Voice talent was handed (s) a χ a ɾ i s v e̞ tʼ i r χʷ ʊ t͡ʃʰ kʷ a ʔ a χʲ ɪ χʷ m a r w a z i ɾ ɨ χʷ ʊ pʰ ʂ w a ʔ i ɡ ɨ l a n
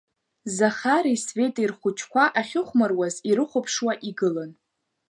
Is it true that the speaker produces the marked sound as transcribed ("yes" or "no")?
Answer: no